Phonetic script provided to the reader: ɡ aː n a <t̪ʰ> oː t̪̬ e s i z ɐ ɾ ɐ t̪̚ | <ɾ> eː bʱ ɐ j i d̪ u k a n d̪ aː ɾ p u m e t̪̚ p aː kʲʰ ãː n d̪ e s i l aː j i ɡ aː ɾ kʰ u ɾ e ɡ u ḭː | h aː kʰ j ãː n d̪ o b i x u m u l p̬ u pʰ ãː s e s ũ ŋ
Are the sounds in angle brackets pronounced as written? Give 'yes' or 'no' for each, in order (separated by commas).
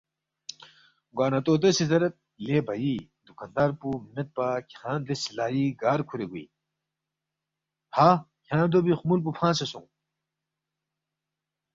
no, no